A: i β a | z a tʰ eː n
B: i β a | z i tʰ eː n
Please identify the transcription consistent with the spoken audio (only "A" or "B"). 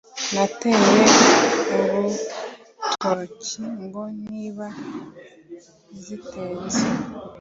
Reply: B